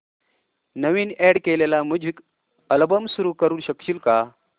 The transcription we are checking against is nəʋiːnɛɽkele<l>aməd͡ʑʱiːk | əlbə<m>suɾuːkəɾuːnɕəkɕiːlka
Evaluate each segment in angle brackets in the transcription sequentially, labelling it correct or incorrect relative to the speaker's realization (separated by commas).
correct, correct